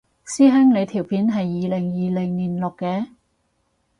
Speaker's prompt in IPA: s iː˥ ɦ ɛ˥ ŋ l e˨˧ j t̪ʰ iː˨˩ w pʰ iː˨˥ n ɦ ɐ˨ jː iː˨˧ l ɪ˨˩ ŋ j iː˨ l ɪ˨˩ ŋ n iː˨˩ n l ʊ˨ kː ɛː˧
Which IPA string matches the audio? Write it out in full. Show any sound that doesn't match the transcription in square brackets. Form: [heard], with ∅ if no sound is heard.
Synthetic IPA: s iː˥ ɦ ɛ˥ ŋ l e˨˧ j t̪ʰ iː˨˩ w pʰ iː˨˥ n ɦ ɐ˨ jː iː˨˧ l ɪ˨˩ ŋ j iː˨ l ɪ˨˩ ŋ n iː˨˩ n l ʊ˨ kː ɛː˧